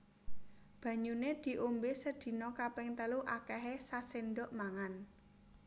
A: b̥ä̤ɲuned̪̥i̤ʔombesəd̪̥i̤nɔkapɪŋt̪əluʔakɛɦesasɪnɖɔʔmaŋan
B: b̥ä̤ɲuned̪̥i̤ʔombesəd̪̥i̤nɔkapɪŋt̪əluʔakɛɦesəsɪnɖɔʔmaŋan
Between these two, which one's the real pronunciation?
A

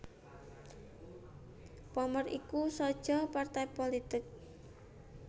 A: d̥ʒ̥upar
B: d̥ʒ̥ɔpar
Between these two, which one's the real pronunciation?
B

